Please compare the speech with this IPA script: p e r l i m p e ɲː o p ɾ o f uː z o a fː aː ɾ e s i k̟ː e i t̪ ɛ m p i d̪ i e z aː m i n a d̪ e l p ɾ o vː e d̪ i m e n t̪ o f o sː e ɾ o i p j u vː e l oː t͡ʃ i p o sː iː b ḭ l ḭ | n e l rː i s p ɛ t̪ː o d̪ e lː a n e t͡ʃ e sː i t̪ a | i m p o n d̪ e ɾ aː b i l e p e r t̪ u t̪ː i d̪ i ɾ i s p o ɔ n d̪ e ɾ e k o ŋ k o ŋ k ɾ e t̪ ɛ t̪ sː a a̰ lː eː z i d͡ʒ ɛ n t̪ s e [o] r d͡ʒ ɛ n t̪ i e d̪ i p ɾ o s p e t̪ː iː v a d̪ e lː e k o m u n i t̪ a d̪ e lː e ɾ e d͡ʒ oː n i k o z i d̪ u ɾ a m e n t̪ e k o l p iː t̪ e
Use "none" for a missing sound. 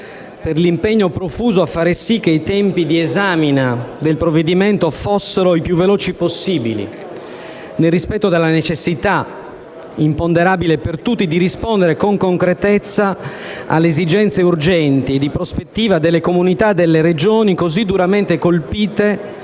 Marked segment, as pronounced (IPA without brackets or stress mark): u